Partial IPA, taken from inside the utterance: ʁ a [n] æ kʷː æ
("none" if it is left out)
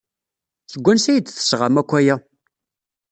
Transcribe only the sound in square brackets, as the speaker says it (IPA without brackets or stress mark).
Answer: m